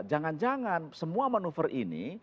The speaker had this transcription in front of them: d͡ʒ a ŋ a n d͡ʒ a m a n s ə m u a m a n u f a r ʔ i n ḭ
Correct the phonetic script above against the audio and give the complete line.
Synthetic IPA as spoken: d͡ʒ a ŋ a n d͡ʒ a ŋ a n s ə m u a m a n u f ə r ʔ i n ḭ